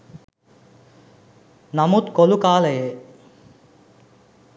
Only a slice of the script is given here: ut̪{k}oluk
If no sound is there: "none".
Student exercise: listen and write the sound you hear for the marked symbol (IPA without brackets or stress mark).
k